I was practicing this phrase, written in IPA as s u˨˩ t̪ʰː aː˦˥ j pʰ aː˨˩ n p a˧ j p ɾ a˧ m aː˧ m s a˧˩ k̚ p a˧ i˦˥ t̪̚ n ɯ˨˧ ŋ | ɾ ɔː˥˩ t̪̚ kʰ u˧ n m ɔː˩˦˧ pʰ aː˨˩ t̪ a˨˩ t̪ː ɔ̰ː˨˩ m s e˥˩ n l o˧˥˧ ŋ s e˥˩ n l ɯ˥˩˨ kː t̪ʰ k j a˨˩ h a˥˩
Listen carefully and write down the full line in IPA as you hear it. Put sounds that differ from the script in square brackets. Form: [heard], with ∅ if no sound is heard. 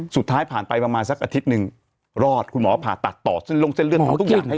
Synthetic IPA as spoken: s u˨˩ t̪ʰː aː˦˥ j pʰ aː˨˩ n p a˧ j p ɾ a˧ m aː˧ [n] s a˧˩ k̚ [ʔ] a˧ i˦˥ t̪̚ n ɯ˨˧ ŋ | ɾ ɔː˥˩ t̪̚ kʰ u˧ n m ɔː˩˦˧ pʰ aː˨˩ t̪ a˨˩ t̪ː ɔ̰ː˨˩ [∅] s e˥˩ n l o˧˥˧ ŋ s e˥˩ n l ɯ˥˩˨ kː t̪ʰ k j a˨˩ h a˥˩